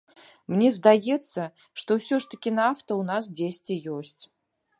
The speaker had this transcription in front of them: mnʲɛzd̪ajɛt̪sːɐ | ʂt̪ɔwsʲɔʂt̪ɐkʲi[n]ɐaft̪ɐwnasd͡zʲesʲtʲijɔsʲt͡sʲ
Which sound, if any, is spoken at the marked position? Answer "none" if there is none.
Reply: n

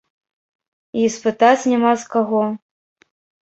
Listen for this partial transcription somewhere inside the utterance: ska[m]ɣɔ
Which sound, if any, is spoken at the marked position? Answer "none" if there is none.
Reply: none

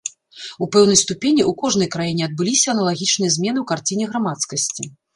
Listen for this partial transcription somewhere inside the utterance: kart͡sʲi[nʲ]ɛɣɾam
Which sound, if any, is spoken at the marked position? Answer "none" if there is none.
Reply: nʲ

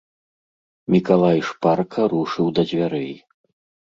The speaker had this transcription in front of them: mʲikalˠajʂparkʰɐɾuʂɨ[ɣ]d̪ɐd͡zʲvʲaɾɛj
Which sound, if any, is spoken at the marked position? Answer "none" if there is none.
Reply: w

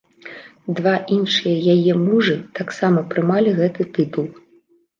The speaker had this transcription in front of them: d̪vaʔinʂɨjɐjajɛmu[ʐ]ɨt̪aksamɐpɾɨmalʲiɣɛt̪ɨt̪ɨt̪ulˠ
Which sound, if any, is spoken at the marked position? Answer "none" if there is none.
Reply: ʐ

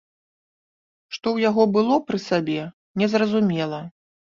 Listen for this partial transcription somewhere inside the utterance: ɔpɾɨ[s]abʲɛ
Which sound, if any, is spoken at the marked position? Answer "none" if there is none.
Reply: s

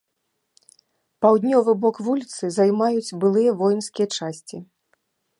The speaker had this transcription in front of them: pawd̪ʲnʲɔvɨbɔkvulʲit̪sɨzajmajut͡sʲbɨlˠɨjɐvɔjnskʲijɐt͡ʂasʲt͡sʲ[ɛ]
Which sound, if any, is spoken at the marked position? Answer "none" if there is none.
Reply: i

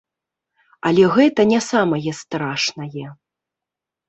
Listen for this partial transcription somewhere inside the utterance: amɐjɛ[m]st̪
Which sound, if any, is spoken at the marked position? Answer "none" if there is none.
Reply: none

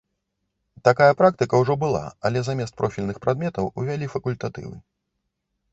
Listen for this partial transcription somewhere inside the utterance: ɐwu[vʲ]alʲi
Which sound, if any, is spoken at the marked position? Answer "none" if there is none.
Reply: vʲ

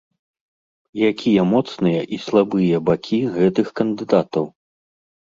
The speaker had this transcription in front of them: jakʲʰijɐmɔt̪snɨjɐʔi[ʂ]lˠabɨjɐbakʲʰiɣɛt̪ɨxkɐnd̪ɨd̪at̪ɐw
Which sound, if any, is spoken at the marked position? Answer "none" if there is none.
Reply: s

